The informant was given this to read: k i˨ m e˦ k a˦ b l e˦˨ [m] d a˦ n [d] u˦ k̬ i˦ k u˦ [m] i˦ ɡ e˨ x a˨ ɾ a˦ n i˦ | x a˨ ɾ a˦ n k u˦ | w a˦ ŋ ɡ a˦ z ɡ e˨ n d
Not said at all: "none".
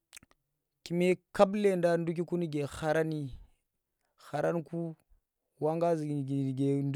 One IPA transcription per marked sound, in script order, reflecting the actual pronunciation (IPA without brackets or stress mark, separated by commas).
n, d, n